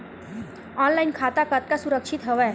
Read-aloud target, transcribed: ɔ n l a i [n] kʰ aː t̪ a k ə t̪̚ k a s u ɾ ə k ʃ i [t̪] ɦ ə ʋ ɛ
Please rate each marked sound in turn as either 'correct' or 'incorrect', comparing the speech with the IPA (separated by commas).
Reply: correct, correct